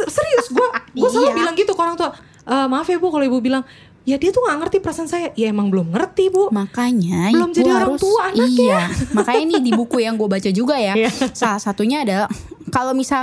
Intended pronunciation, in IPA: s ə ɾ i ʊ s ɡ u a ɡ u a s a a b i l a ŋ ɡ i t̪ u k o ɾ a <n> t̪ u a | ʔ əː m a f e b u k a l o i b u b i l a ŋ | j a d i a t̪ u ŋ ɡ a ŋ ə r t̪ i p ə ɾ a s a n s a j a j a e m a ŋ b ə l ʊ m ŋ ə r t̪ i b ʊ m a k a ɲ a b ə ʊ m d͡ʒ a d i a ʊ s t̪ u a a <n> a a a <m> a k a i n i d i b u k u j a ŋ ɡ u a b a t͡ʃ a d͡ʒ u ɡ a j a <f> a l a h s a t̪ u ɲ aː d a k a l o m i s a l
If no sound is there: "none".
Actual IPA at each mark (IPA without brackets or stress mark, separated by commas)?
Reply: ŋ, n, m, s